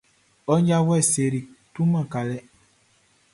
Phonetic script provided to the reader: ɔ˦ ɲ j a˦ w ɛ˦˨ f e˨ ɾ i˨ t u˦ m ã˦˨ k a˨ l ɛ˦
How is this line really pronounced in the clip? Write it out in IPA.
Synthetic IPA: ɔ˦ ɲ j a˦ w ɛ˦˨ s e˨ ɾ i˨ t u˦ m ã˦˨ k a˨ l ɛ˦